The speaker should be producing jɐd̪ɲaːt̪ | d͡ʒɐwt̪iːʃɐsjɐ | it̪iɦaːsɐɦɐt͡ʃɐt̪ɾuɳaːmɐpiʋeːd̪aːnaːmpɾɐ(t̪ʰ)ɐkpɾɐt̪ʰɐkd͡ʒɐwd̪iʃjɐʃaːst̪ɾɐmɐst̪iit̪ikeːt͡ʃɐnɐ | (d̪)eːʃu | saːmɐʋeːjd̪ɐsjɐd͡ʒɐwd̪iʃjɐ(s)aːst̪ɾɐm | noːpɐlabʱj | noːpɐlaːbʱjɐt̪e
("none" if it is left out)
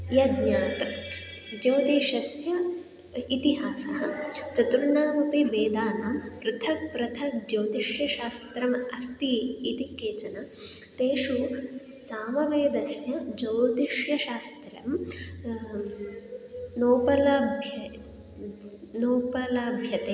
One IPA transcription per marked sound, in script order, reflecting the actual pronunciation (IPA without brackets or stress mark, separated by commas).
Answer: t̪ʰ, t̪, ʃ